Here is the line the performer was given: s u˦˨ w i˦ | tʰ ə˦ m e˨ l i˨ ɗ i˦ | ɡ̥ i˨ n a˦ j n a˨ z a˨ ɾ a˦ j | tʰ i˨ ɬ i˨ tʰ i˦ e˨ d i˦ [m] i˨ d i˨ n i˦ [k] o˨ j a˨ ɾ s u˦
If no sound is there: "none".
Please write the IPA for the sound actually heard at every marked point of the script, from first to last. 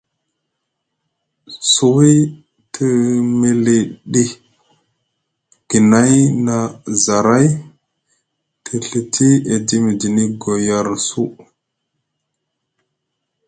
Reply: m, ɡ

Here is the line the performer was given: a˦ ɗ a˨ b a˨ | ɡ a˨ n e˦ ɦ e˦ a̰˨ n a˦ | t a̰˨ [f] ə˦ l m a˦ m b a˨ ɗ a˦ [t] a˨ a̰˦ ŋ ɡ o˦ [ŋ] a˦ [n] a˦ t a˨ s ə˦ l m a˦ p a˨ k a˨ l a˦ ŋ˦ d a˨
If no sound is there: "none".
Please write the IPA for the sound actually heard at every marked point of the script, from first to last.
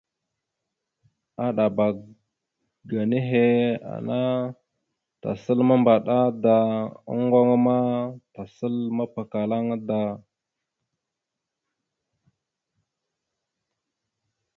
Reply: s, d, ŋ, m

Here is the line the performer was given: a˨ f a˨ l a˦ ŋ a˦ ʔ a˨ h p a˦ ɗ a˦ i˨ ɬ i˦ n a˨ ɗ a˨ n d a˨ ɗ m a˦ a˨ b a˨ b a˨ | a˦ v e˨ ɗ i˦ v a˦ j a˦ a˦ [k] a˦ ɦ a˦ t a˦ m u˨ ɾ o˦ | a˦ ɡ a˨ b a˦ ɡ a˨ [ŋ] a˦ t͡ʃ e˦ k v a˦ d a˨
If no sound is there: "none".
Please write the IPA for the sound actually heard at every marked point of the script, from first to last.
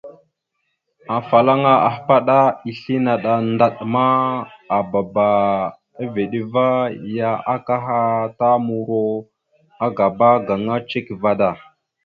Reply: k, ŋ

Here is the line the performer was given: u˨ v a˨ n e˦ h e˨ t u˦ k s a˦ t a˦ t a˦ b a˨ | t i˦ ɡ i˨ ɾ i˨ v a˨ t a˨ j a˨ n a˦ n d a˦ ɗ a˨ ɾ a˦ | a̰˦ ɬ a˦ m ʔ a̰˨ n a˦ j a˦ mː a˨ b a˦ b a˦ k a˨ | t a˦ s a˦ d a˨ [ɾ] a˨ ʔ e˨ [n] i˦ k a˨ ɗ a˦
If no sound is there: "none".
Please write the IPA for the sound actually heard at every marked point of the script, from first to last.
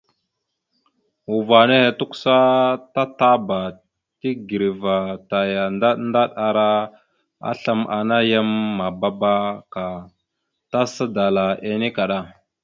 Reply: l, n

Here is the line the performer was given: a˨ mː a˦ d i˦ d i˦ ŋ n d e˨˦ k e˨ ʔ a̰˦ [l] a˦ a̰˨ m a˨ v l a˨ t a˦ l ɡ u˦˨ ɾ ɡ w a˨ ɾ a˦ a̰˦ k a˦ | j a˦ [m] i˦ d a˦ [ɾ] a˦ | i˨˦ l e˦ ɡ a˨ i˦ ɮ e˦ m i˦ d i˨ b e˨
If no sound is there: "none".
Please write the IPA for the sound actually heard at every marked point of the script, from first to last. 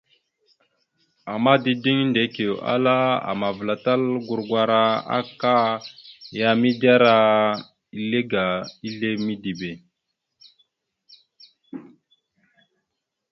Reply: l, m, ɾ

